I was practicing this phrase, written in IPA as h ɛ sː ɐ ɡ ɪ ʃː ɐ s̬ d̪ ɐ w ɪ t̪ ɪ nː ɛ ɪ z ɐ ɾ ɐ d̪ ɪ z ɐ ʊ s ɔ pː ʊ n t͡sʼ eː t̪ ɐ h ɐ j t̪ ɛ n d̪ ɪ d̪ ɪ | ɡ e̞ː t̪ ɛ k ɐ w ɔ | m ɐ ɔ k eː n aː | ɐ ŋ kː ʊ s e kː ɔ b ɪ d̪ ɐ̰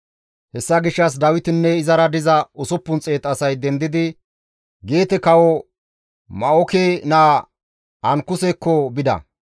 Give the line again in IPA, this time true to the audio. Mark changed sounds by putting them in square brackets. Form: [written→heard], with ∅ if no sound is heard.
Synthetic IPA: h ɛ sː ɐ ɡ ɪ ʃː ɐ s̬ d̪ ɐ w ɪ t̪ ɪ nː ɛ ɪ z ɐ ɾ ɐ d̪ ɪ z ɐ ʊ s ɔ pː ʊ n t͡sʼ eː t̪ ɐ [h→s] ɐ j [t̪→d̪] ɛ n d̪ ɪ d̪ ɪ | ɡ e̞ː t̪ ɛ k ɐ w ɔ | m ɐ ɔ k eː n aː | ɐ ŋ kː ʊ s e kː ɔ b ɪ d̪ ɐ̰